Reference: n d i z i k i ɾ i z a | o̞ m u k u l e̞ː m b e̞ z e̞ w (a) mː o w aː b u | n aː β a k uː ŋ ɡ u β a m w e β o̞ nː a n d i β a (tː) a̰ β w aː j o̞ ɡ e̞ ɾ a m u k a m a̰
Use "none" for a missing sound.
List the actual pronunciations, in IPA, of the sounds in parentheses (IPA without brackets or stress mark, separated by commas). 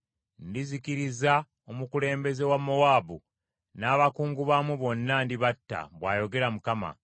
a, tː